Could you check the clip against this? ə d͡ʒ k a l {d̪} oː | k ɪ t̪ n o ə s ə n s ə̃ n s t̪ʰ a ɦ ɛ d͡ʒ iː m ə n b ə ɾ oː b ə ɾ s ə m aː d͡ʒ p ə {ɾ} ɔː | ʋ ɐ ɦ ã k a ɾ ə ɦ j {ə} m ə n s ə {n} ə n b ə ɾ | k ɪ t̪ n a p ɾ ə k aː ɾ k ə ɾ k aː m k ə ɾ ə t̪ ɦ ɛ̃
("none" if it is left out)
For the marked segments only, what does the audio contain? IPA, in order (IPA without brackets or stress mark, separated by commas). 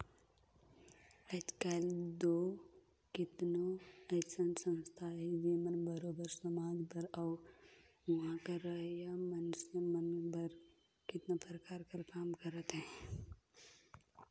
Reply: d̪, ɾ, a, m